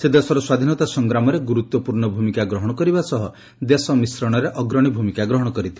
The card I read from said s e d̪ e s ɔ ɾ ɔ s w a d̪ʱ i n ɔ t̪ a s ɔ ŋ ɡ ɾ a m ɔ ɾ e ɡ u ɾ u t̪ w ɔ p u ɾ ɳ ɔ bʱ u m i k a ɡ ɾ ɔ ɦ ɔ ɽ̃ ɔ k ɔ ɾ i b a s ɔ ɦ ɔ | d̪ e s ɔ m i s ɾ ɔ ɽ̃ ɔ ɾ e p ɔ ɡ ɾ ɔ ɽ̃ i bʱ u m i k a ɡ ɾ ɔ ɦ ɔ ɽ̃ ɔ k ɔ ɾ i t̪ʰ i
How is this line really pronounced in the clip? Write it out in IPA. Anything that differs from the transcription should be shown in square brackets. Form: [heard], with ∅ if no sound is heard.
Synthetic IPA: s e d̪ e s ɔ ɾ ɔ s w a d̪ʱ i n ɔ t̪ a s ɔ ŋ ɡ ɾ a m ɔ ɾ e ɡ u ɾ u t̪ w ɔ p u ɾ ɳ ɔ bʱ u m i k a ɡ ɾ ɔ ɦ ɔ ɽ̃ ɔ k ɔ ɾ i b a s ɔ ɦ ɔ | d̪ e s ɔ m i s ɾ ɔ ɽ̃ ɔ ɾ e [ʔ] ɔ ɡ ɾ ɔ ɽ̃ i bʱ u m i k a ɡ ɾ ɔ ɦ ɔ ɽ̃ ɔ k ɔ ɾ i t̪ʰ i